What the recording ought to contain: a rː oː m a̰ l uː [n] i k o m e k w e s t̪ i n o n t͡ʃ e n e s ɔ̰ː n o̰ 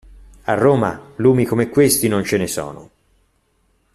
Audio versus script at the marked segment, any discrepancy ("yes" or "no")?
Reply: yes